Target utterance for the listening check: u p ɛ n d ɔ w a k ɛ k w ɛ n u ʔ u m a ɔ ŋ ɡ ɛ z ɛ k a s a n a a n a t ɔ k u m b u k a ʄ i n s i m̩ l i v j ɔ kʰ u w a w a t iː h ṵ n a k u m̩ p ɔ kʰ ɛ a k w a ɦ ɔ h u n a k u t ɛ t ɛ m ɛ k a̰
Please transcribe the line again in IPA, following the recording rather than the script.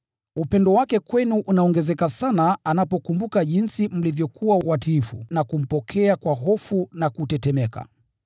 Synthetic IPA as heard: u p ɛ n d ɔ w a k ɛ k w ɛ n u ʔ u n a ɔ ŋ ɡ ɛ z ɛ k a s a n a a n a p ɔ k u m b u k a ʄ i n s i m̩ l i v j ɔ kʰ u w a w a t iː f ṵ n a k u m̩ p ɔ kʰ ɛ a k w a ɦ ɔ f u n a k u t ɛ t ɛ m ɛ k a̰